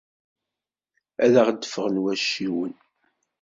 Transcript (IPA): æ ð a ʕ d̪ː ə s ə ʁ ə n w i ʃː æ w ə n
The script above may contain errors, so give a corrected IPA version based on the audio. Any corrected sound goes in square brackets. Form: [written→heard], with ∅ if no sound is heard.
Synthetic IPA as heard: æ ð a [ʕ→ʁ] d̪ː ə [s→f] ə ʁ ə n w [i→æ] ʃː [æ→i] w ə n